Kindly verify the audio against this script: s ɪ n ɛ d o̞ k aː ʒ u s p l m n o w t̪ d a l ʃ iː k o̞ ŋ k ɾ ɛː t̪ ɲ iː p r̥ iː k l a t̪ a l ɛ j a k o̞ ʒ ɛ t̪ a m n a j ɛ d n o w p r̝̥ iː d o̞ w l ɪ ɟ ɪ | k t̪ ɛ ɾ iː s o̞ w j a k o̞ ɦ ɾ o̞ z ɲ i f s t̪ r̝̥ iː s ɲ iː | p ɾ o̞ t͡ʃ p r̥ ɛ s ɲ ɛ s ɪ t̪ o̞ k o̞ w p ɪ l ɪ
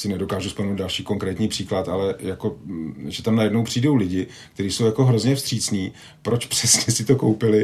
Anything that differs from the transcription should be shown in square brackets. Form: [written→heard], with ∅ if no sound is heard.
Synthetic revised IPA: s ɪ n ɛ d o̞ k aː ʒ u s p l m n o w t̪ d a l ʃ iː k o̞ ŋ k ɾ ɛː t̪ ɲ iː p r̥ iː k l a t̪ a l ɛ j a k o̞ ʒ ɛ t̪ a m n a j ɛ d n o w p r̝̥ iː d o̞ w l ɪ ɟ ɪ | k t̪ ɛ ɾ iː s o̞ w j a k o̞ ɦ ɾ o̞ z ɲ [i→ɛ] f s t̪ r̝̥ iː [s→t͡s] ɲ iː | p ɾ o̞ t͡ʃ p r̥ ɛ s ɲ ɛ s ɪ t̪ o̞ k o̞ w p ɪ l ɪ